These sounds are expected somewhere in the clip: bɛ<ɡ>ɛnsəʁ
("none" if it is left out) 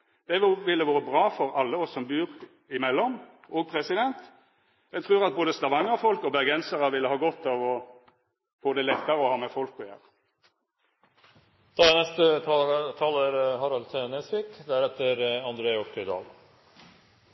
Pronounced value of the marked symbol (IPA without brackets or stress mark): ɡ